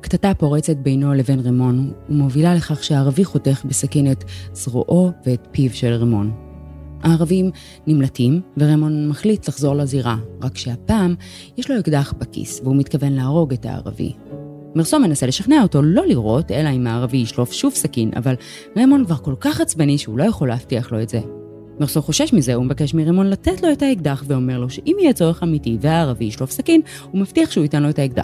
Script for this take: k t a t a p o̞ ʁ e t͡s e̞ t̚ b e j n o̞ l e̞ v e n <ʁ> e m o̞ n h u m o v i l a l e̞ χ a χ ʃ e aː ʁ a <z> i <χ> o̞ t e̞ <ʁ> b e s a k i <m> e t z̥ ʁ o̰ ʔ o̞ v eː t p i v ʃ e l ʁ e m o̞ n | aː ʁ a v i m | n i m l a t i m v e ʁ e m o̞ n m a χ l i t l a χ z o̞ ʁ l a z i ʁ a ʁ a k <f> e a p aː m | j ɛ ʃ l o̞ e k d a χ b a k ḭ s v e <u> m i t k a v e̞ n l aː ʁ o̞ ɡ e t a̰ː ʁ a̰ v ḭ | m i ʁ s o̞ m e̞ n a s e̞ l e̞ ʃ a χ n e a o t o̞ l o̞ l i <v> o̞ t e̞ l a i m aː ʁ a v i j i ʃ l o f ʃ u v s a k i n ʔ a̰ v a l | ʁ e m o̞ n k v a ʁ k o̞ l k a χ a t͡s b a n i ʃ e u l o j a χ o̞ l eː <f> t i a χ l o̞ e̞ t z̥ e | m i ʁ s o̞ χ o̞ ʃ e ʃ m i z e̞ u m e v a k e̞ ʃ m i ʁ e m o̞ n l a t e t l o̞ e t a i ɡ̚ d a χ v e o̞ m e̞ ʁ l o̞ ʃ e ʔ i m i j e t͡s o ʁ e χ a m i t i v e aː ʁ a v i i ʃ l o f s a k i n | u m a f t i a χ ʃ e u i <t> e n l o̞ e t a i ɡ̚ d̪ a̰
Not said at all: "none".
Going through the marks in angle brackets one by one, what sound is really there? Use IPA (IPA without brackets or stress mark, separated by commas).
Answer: ʁ, v, χ, χ, n, ʃ, u, ʁ, f, t